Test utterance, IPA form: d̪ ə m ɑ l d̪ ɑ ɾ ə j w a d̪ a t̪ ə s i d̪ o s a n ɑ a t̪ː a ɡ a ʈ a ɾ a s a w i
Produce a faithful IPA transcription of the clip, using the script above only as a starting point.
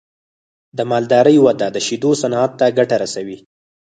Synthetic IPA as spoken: d̪ ə m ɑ l d̪ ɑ ɾ ə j w a d̪ a d̪ ə ʃ i d̪ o s a n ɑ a t̪ː a ɡ a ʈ a ɾ a s a w i

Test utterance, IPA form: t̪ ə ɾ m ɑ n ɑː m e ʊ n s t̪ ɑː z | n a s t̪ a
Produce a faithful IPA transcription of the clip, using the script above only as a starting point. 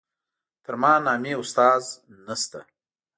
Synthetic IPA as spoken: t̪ ə ɾ m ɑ n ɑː m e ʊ s t̪ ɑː z | n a s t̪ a

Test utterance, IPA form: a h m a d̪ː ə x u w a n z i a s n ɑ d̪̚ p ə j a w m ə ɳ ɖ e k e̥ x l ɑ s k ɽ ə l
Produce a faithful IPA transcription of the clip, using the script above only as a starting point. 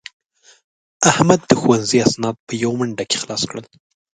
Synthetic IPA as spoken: a h m a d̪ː ə x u w a n z i a s n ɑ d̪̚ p ə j a w m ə ɳ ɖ a k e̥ x l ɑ s k ɽ ə l

